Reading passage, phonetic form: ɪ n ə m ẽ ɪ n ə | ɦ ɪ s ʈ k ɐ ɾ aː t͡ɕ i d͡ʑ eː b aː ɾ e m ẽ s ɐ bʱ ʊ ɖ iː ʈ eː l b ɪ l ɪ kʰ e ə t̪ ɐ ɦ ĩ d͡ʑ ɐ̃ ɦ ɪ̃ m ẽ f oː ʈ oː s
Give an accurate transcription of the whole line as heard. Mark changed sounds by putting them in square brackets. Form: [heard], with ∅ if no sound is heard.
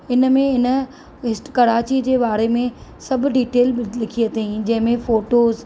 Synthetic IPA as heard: ɪ n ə m ẽ ɪ n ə | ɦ ɪ s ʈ k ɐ ɾ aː t͡ɕ i d͡ʑ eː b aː ɾ e m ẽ s ɐ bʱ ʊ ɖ iː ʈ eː l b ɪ l ɪ kʰ [i] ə t̪ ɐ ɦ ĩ d͡ʑ ɐ̃ ɦ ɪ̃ m ẽ f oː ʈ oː [z]